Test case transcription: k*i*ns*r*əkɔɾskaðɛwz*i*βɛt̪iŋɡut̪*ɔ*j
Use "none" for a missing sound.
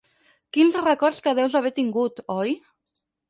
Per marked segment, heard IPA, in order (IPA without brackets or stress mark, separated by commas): i, r, a, ɔ